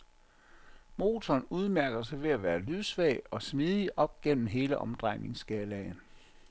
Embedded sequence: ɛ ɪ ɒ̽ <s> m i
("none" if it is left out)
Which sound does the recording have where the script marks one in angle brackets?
s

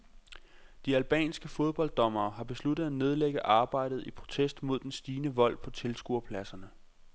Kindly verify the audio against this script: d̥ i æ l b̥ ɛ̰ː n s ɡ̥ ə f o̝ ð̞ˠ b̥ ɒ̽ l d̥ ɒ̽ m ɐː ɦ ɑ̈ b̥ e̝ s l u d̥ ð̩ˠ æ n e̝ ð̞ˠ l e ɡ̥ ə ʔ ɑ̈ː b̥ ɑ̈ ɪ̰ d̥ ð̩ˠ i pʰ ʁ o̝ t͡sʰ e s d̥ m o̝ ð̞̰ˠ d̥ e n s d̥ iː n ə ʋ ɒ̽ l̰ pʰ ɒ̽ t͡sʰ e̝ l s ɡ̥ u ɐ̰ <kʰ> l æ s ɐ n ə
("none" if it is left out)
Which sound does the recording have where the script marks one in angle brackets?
pʰ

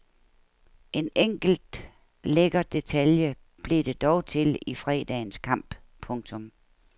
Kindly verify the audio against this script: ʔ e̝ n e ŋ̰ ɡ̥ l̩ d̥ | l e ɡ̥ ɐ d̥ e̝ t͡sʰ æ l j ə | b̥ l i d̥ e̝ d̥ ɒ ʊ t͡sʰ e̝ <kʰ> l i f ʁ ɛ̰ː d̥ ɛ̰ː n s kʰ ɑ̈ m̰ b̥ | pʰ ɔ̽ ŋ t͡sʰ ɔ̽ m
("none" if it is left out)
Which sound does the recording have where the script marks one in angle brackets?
none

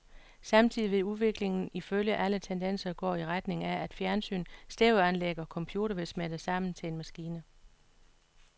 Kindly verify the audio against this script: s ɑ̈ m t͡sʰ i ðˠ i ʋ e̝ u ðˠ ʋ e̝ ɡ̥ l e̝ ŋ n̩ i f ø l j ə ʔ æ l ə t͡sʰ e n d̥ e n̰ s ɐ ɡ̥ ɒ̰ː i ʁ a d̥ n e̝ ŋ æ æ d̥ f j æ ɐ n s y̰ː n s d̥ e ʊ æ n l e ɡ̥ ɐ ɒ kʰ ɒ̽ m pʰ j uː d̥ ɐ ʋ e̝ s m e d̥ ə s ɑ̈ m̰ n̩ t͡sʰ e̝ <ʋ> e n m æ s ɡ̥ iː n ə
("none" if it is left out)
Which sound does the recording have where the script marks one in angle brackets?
none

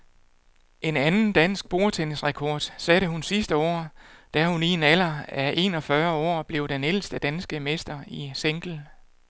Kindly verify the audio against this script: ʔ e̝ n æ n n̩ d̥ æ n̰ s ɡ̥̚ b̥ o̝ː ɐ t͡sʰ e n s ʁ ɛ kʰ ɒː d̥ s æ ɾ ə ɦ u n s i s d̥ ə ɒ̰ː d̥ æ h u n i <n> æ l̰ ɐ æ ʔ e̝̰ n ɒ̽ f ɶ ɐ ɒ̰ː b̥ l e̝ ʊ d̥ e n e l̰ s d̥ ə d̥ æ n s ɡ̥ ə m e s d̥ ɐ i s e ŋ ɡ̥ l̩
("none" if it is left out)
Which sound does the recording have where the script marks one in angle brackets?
n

